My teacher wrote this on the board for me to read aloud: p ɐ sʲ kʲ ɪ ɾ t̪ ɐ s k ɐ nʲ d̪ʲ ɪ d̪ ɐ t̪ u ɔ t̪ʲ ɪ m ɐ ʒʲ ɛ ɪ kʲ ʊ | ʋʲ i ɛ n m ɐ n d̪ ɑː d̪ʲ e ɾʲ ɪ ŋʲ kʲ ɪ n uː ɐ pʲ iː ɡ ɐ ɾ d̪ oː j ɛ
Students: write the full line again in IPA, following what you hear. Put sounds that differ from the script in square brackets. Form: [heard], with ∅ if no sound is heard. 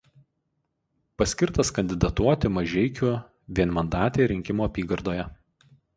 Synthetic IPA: p ɐ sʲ kʲ ɪ ɾ t̪ ɐ s k ɐ nʲ d̪ʲ ɪ d̪ ɐ t̪ u ɔ t̪ʲ ɪ m ɐ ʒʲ ɛ ɪ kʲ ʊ | ʋʲ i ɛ n m ɐ n d̪ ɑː [t̪ʲ] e ɾʲ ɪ ŋʲ kʲ ɪ [m] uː ɐ pʲ iː ɡ ɐ ɾ d̪ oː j ɛ